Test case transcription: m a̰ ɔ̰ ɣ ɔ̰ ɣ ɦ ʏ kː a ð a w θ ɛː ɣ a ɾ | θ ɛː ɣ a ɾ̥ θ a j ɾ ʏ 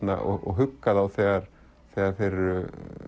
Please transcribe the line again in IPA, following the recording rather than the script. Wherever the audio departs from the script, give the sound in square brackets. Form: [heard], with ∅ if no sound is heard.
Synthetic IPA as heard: [n] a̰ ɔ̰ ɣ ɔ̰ ɣ ɦ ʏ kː a ð a w θ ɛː ɣ a ɾ | θ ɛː ɣ a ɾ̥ θ [e] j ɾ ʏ